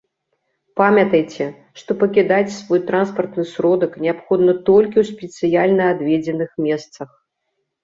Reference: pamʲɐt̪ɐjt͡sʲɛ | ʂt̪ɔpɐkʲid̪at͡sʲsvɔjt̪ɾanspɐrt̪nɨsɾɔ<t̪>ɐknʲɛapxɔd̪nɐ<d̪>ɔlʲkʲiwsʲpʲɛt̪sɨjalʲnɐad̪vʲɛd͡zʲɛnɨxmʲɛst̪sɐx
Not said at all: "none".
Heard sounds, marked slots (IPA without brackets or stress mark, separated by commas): d̪, t̪